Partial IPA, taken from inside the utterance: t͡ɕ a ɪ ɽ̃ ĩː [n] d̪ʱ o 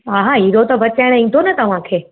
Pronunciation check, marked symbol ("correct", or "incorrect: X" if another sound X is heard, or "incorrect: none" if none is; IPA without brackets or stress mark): correct